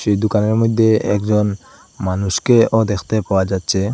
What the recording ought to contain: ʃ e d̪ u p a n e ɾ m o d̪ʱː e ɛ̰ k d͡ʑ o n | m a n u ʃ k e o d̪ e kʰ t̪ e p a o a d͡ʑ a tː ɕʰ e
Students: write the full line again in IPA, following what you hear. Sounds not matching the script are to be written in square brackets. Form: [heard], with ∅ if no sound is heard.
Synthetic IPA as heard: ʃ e d̪ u [k] a n e ɾ m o d̪ʱː e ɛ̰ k d͡ʑ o n | m a n u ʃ k e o d̪ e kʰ t̪ e p a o a d͡ʑ a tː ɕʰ e